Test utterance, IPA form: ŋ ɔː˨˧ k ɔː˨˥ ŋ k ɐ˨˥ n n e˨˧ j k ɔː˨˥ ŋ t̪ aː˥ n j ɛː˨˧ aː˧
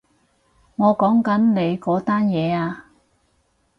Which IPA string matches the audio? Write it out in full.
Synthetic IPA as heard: ŋ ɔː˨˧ k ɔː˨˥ ŋ k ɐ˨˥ n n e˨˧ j k ɔː˨˥ t̪ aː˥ n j ɛː˨˧ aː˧